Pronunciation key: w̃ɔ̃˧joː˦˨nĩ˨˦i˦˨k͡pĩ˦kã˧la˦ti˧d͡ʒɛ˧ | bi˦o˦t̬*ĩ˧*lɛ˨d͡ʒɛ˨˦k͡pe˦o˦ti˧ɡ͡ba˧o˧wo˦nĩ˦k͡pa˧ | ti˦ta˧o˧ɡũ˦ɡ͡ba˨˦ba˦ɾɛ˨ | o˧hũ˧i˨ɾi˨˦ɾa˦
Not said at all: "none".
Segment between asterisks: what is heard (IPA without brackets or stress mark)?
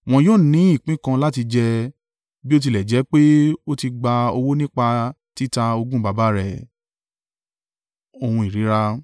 i˧